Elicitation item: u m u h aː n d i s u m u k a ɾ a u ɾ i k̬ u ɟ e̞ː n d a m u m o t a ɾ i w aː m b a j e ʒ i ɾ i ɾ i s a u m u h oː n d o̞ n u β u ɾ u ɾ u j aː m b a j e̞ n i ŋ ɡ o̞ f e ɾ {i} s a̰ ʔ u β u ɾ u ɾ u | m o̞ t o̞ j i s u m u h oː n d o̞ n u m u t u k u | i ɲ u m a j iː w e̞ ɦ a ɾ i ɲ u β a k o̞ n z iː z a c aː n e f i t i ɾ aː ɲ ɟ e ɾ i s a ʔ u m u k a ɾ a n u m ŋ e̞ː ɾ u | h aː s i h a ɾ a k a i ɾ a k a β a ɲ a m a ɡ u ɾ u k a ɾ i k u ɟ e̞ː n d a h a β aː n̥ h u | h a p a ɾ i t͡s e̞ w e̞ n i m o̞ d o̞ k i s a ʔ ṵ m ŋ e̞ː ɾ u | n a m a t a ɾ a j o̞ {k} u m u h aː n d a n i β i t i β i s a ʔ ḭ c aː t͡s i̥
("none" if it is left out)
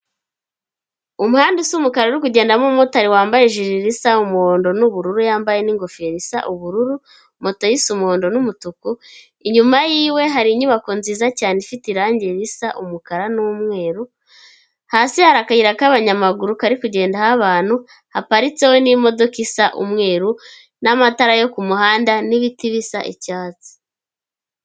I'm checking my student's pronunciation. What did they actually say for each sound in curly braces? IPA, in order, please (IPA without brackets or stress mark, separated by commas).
i, k